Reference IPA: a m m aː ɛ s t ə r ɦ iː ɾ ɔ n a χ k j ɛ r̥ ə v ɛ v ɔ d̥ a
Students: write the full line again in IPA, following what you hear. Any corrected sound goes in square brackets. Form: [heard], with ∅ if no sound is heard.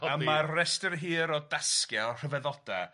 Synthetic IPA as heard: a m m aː ɛ s t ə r ɦ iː ɾ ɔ [d] a [s] k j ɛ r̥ ə v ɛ [ð] ɔ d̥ a